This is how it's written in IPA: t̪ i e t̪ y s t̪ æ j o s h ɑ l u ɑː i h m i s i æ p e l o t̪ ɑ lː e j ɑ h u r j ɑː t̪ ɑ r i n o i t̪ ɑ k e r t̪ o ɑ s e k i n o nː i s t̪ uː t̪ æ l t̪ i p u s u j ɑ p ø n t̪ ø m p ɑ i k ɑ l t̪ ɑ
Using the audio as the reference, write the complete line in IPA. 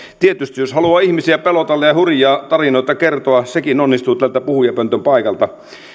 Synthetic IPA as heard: t̪ i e t̪ y s t̪ i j o s h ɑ l u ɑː i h m i s i æ p e l o t̪ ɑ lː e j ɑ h u r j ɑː t̪ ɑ r i n o i t̪ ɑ k e r t̪ o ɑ s e k i n o nː i s t̪ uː t̪ æ l t̪ æ p u h u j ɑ p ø n t̪ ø m p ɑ i k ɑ l t̪ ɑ